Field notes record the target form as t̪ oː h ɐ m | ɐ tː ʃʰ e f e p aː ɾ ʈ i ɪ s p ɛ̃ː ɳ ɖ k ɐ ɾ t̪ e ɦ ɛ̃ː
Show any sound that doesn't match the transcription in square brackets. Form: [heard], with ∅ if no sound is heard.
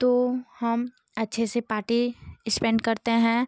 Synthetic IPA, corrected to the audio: t̪ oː h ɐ m | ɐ tː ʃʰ e [s] e p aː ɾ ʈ i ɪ s p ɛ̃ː ɳ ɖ k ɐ ɾ t̪ e ɦ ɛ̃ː